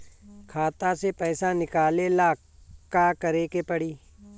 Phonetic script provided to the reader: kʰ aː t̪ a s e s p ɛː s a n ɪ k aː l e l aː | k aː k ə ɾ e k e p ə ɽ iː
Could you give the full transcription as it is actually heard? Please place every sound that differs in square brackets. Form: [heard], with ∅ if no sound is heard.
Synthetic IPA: kʰ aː t̪ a s e [∅] p ɛː s a n ɪ k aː l e l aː | k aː k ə ɾ e k e p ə ɽ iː